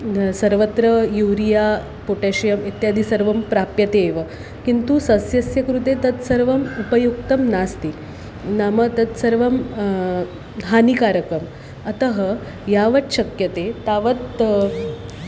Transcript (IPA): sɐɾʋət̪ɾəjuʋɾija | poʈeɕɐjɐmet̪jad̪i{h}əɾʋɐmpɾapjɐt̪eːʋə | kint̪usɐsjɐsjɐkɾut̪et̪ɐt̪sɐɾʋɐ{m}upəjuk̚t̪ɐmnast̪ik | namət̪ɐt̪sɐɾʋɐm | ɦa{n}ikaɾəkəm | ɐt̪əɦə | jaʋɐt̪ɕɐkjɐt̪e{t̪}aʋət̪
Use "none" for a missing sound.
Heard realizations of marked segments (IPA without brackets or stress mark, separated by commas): s, m, n, t̪